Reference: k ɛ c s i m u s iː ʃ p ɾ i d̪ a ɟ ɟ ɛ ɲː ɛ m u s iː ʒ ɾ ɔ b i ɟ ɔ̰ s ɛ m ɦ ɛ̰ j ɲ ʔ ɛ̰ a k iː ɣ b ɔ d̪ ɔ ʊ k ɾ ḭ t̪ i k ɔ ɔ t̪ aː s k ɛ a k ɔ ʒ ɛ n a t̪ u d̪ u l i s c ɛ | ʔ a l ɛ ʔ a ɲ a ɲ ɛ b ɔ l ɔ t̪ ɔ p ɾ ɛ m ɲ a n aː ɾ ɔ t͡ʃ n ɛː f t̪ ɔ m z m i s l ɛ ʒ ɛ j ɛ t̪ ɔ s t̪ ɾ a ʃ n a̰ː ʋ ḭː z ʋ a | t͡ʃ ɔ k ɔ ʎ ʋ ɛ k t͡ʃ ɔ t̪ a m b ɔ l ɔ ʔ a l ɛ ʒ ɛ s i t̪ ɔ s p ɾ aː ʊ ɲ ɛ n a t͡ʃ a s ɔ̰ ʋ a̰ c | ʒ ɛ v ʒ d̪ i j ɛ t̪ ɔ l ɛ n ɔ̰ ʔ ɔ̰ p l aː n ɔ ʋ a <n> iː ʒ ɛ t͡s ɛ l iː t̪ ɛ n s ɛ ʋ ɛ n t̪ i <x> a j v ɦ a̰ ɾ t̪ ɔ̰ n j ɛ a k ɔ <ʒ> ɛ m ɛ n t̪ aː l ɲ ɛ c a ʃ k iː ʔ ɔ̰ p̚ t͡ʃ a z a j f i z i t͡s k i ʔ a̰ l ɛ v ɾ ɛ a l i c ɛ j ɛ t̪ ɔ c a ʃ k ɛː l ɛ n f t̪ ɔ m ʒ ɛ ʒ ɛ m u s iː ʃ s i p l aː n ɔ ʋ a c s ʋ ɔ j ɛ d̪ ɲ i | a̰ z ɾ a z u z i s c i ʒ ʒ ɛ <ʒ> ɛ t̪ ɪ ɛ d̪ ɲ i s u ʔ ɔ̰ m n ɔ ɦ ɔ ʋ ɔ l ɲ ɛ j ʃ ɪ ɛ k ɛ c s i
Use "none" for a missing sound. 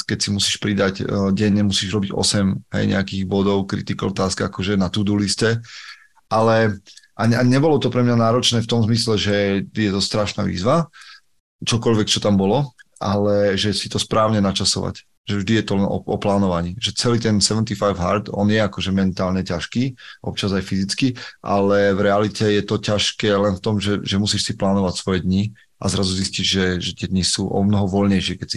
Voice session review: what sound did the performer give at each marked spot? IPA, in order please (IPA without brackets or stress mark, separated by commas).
ɲ, f, ʒ, ʒ